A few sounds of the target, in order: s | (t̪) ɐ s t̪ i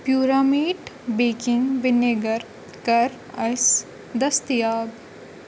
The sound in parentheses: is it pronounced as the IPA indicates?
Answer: no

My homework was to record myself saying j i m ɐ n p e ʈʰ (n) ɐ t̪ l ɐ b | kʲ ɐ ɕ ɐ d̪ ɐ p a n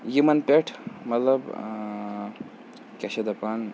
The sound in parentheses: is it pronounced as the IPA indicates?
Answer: no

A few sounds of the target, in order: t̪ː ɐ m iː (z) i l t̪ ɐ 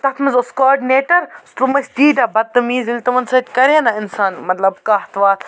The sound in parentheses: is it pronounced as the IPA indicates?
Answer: yes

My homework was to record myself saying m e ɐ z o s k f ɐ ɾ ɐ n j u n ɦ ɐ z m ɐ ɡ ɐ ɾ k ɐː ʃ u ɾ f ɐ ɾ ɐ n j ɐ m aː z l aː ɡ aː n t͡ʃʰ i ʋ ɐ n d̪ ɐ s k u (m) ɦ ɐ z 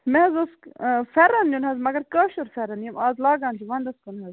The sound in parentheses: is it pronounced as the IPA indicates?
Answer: no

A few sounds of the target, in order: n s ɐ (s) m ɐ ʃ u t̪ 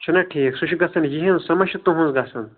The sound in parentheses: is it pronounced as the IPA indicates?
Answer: no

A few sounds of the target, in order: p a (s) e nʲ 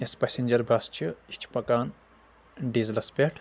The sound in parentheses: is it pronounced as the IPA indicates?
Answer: yes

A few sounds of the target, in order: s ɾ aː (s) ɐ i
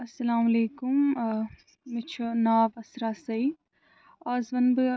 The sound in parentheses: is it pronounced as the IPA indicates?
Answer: yes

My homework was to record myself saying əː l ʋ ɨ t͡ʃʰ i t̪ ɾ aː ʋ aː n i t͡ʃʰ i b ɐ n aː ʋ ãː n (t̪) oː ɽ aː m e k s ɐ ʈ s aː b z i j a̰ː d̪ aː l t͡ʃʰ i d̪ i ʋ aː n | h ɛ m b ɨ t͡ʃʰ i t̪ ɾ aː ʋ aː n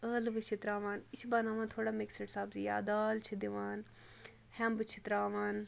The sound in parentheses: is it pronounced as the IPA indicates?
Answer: no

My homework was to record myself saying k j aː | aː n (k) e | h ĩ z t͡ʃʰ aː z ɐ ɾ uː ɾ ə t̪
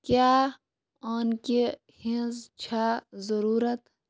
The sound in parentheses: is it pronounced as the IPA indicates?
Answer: yes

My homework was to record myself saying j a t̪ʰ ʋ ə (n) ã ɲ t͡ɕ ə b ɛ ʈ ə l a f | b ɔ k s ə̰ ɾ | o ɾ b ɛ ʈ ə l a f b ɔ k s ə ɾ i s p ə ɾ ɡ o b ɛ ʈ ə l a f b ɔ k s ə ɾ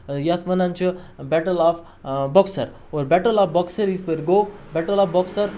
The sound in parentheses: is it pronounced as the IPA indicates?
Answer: yes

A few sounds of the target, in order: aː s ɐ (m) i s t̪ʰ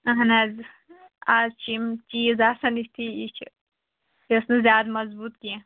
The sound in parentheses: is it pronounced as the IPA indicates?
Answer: no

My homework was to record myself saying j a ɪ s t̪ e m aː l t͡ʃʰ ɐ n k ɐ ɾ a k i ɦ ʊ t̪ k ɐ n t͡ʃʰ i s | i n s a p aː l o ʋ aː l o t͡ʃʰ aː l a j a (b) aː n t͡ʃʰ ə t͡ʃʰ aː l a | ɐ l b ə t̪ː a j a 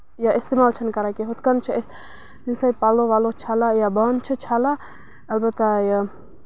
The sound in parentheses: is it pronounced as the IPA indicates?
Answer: yes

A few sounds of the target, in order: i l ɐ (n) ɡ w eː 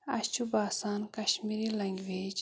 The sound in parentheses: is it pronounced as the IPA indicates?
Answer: no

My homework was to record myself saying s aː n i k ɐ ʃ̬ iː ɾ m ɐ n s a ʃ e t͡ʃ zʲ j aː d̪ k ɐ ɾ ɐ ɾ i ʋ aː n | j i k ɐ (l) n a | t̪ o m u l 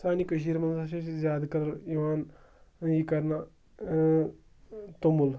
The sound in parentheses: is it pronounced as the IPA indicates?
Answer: no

